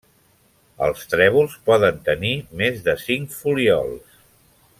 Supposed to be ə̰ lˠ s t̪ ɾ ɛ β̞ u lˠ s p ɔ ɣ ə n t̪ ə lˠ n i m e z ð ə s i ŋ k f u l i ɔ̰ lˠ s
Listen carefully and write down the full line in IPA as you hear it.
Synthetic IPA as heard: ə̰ lˠ s t̪ ɾ ɛ β̞ u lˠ s p ɔ ð ə n t̪ ə n i m e z ð ə s i ŋ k f u l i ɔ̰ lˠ s